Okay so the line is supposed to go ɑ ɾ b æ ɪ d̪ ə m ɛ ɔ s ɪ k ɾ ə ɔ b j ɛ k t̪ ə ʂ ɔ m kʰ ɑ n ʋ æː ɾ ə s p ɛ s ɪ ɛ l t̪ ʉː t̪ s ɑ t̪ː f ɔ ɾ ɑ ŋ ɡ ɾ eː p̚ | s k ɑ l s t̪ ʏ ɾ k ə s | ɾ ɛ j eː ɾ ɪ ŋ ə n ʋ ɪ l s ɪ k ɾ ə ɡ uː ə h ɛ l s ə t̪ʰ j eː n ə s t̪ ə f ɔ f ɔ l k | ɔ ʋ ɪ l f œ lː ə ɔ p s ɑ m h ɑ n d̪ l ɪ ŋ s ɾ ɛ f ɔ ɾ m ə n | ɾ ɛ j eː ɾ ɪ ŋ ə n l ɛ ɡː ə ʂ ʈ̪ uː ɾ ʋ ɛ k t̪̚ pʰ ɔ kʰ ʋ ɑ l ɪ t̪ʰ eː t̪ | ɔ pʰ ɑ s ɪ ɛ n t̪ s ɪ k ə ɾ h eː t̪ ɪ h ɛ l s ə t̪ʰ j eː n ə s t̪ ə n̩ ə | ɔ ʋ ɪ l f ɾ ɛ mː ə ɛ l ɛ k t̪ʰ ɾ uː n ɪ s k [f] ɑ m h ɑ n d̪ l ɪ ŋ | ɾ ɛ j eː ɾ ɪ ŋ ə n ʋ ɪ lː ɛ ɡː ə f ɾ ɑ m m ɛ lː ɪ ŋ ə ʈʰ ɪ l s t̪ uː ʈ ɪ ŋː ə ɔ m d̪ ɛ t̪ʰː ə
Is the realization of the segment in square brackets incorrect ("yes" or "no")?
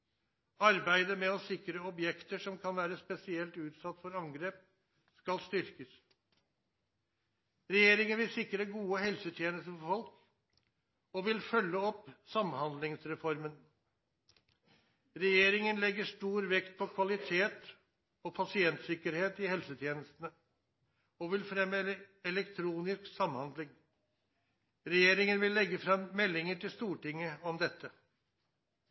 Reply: yes